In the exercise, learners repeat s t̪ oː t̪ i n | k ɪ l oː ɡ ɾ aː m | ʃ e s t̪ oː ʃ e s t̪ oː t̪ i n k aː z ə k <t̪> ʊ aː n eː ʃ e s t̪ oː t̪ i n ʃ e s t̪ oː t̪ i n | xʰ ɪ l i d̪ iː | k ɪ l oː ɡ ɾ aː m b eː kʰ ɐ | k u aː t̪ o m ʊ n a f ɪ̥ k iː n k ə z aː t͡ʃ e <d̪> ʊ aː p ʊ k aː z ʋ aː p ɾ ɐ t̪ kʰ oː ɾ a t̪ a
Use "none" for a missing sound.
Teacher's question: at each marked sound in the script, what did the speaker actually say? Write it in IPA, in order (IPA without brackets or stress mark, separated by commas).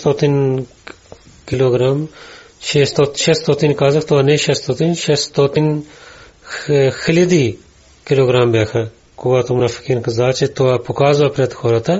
t̪, t̪